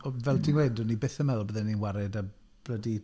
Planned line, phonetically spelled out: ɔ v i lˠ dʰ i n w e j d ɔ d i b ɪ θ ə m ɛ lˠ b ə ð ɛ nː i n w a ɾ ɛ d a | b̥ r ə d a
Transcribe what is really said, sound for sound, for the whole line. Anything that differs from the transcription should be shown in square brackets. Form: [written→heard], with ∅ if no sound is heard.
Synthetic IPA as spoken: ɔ v [i→ɛ] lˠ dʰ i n w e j d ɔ [d→n] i b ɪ θ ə m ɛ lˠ b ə ð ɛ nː i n w a ɾ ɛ d a | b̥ [r→l] ə d [a→i]